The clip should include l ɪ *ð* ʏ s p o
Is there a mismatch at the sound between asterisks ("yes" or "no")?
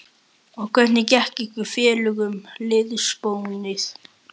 no